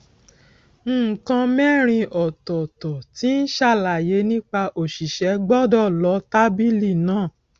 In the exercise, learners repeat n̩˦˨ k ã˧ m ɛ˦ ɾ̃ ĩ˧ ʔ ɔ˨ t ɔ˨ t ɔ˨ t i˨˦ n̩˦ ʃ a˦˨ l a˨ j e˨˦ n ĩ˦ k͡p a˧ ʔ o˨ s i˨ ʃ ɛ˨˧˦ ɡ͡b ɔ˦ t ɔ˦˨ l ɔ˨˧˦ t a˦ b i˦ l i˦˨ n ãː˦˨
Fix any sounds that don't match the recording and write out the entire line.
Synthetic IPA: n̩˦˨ k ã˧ m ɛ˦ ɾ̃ ĩ˧ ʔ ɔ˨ t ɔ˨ t ɔ˨ t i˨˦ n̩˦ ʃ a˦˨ l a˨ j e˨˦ n ĩ˦ k͡p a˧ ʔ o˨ ʃ i˨ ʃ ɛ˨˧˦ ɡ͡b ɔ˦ d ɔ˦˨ l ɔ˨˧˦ t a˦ b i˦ l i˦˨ n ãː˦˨